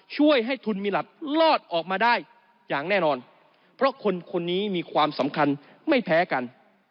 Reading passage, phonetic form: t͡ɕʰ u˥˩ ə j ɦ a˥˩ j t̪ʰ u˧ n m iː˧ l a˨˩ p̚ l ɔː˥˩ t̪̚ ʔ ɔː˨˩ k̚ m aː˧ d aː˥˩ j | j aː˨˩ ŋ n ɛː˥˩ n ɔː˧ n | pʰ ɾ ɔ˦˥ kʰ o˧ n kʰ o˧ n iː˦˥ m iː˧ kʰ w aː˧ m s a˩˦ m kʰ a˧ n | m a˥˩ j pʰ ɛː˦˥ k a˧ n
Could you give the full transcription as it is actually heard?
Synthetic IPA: t͡ɕʰ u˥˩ ə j ɦ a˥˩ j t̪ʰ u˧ n m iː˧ l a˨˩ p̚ l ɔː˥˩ t̪̚ ʔ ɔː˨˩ k̚ m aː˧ d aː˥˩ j | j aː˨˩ ŋ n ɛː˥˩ n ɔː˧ n | pʰ ɾ ɔ˦˥ kʰ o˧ n kʰ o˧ nː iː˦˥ m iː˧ kʰ w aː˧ m s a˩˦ m kʰ a˧ n | m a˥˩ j pʰ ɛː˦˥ k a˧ n